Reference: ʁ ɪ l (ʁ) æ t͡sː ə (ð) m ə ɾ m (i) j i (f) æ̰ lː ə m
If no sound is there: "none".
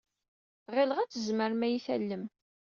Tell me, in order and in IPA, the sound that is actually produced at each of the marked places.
ʁ, z, æ, θ

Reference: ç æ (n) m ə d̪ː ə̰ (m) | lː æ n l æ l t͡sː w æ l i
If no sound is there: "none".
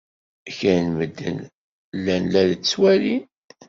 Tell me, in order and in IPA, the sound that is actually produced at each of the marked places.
n, n

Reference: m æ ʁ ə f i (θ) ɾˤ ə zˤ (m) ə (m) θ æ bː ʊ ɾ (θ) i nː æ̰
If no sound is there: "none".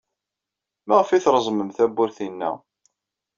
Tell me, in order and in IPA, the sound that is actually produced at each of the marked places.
θ, m, m, θ

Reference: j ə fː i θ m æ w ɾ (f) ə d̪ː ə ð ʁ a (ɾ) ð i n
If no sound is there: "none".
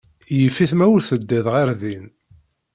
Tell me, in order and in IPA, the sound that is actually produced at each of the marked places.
θ, ɾ

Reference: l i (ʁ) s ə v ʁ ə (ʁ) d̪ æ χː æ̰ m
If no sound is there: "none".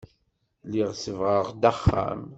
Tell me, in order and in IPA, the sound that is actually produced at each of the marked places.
ʁ, ʁ

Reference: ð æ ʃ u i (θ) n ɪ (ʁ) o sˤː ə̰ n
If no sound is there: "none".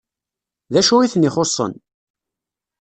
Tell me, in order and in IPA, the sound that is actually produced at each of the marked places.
θ, χ

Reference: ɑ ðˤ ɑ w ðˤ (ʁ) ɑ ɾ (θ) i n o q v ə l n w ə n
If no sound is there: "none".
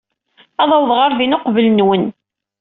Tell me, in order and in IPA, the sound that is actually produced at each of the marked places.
ʁ, ð

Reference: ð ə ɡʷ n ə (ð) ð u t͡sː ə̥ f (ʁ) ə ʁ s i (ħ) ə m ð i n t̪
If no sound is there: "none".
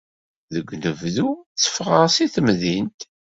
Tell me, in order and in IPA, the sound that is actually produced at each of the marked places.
v, ʁ, θ

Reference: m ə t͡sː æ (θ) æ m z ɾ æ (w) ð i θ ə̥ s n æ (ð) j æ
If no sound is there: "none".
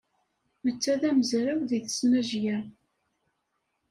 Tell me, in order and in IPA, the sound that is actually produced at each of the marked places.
ð, w, ʒ

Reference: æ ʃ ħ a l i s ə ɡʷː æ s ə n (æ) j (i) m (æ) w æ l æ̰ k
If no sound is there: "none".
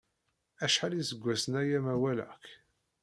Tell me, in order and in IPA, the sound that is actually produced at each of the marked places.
æ, æ, æ

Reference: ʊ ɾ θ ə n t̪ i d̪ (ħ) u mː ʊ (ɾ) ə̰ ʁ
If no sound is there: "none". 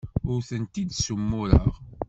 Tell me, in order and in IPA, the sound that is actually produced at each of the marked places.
s, ɾ

